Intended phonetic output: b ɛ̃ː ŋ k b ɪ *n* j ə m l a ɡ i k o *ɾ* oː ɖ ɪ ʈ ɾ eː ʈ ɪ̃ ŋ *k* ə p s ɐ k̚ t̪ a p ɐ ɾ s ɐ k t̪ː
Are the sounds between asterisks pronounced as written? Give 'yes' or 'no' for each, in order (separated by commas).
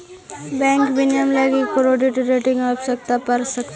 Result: yes, yes, no